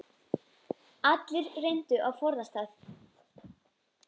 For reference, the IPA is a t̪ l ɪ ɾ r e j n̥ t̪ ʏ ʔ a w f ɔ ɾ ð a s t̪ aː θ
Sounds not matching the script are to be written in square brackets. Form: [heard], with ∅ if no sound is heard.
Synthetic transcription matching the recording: a t̪ l ɪ ɾ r e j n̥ t̪ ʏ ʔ a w f ɔ ɾ ð a s t̪ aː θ